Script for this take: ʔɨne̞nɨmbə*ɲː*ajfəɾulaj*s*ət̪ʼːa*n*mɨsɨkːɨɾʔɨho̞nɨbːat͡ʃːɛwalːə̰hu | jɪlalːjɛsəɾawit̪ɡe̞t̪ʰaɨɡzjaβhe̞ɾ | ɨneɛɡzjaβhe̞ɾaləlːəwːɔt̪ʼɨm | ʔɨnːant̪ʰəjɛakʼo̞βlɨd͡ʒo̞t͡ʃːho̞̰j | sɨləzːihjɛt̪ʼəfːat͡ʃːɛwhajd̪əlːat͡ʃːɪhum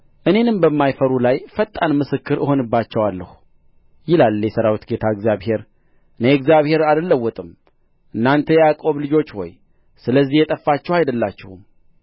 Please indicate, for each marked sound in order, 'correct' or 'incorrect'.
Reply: incorrect, incorrect, correct

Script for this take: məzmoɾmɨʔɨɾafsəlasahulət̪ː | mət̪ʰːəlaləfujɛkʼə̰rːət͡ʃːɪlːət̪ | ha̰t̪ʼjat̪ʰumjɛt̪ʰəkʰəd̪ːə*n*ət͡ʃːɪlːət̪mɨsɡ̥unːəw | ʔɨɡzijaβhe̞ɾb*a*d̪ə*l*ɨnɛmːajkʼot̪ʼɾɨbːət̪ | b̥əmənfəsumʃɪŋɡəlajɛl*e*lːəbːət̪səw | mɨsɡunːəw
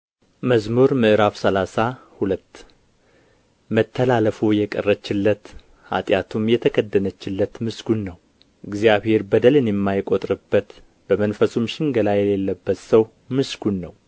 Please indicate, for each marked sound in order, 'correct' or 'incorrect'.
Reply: correct, incorrect, correct, correct

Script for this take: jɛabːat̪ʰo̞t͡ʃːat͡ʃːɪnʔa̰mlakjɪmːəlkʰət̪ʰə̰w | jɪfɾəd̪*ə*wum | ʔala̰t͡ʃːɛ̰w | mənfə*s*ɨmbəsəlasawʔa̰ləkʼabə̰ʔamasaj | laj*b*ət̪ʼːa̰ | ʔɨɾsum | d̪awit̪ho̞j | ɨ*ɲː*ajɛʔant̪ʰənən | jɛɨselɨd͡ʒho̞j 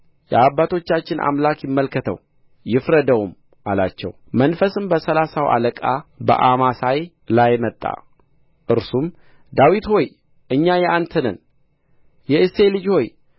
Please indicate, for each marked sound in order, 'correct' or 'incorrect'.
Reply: correct, correct, incorrect, correct

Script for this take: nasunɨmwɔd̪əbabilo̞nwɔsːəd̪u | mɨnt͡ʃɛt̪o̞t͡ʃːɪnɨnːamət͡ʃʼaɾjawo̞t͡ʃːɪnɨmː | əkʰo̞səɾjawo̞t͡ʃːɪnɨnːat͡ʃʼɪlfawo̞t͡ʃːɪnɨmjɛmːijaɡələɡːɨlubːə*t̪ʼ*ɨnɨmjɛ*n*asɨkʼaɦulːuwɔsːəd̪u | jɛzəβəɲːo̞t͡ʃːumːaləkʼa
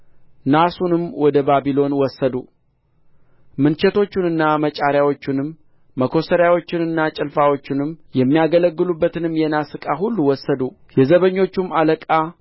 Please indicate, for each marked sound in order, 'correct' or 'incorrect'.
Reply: incorrect, correct

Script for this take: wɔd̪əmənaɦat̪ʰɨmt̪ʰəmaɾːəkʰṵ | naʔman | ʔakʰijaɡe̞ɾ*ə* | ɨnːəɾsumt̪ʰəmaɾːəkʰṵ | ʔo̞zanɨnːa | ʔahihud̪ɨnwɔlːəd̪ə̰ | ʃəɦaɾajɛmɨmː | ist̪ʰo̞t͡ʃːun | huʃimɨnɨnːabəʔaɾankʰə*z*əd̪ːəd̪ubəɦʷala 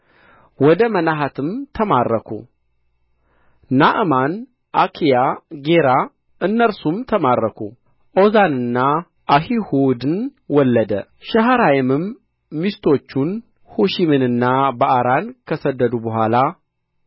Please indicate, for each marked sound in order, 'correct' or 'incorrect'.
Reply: incorrect, incorrect

